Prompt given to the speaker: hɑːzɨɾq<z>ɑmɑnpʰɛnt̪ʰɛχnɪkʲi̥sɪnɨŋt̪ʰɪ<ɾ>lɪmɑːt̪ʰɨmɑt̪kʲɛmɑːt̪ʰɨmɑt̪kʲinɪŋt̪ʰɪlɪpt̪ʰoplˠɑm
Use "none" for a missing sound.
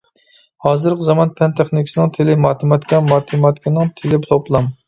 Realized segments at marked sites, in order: z, none

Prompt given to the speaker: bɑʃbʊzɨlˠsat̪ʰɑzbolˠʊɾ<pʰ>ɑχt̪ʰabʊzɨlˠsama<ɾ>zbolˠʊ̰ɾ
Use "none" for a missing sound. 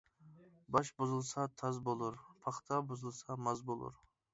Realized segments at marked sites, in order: pʰ, none

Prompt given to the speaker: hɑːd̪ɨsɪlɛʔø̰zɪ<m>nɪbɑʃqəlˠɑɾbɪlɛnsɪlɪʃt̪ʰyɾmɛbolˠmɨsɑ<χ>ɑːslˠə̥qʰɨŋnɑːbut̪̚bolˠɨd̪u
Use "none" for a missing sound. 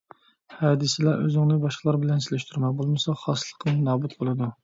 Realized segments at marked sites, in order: ŋ, χ

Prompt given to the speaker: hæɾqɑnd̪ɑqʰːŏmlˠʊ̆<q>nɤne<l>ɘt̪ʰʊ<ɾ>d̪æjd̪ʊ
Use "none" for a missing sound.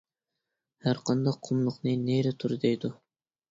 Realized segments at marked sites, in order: q, ɾ, ɾ

